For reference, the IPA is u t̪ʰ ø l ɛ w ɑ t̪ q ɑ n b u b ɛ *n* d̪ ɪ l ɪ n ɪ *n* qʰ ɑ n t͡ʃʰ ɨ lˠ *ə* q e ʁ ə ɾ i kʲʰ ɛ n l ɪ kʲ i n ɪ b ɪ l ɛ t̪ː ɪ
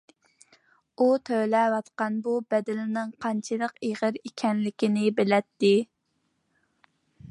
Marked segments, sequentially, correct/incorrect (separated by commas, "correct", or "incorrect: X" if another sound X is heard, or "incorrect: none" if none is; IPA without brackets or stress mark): incorrect: none, incorrect: ŋ, correct